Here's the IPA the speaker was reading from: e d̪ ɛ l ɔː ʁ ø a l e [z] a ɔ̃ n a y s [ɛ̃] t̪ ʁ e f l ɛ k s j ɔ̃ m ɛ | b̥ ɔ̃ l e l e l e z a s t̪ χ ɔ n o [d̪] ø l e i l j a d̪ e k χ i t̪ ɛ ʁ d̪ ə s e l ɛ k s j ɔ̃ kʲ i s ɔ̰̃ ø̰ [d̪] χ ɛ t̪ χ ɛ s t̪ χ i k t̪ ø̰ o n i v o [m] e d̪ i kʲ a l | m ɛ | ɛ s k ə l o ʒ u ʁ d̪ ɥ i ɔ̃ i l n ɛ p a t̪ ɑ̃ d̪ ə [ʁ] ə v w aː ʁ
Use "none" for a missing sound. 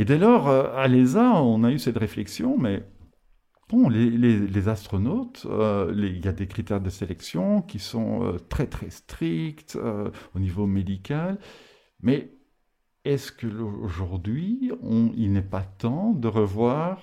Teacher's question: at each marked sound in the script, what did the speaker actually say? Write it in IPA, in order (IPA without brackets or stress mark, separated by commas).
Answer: z, ɛ, t̪, t̪, m, ʁ